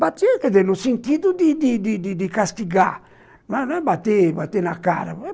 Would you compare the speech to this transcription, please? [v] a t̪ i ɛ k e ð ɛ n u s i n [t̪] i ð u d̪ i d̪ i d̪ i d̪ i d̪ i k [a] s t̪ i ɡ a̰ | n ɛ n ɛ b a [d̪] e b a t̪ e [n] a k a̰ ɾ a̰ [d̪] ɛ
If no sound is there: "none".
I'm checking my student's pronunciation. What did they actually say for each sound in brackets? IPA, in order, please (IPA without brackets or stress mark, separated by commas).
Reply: b, t̪, a, t̪, n, none